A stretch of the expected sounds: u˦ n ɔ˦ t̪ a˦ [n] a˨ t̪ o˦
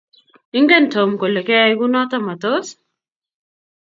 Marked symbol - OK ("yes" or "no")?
no